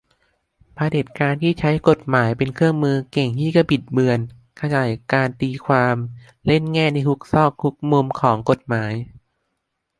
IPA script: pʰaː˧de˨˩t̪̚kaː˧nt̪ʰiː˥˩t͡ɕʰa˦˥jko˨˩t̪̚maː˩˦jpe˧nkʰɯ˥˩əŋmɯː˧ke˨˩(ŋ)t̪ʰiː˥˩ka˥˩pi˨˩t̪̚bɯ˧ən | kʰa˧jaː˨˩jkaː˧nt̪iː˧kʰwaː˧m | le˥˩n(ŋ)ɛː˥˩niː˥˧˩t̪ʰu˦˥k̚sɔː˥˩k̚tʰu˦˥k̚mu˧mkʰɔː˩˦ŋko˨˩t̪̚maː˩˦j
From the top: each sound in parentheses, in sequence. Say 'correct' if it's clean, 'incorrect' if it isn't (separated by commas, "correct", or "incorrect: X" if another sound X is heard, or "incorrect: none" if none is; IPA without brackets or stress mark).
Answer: correct, correct